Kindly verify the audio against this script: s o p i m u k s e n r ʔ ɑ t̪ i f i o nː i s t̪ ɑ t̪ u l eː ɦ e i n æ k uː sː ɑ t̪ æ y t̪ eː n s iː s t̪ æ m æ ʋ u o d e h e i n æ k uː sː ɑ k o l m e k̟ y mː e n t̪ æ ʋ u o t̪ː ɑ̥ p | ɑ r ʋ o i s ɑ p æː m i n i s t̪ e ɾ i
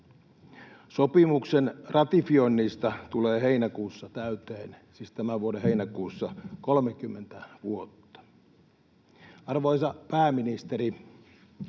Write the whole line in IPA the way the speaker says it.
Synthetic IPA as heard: s o p i m u k s e n r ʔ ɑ t̪ i f i o nː i s t̪ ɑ t̪ u l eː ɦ e i n æ k uː sː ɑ t̪ æ y t̪ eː n s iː s t̪ æ m æ ʋ u o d e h e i n æ k uː sː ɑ k o l m e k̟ y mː e n t̪ æ ʋ u o t̪ː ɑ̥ | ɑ r ʋ o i s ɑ p æː m i n i s t̪ e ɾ i